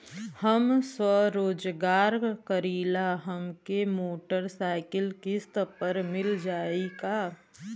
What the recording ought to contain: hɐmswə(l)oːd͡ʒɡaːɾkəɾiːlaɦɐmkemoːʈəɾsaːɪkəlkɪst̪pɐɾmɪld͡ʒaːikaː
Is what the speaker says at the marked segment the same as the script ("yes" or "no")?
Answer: no